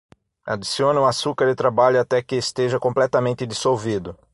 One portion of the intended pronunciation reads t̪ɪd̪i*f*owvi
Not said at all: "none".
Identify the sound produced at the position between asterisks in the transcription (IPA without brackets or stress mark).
s